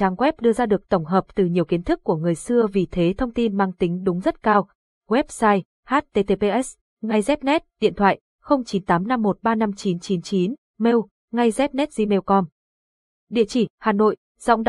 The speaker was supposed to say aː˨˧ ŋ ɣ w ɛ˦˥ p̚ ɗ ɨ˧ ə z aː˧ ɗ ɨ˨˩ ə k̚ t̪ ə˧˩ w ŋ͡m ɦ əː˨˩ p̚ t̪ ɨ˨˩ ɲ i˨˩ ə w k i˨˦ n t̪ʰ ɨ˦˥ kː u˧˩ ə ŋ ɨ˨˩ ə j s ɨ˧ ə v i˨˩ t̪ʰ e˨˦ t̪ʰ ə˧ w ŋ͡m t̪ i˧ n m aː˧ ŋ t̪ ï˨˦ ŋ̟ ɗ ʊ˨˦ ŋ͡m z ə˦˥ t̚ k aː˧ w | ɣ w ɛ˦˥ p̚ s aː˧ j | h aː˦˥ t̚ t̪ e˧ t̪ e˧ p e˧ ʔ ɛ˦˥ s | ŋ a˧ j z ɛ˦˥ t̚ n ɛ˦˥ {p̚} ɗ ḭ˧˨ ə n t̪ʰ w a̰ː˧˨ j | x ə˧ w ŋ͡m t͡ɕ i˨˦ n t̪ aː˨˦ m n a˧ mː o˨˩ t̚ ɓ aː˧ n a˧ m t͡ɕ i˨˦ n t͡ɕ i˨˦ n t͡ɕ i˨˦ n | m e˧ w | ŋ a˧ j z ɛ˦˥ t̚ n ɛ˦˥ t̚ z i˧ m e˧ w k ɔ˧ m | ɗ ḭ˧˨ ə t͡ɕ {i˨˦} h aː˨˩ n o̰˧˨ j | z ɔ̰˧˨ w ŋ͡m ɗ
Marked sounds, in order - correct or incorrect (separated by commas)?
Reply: incorrect, incorrect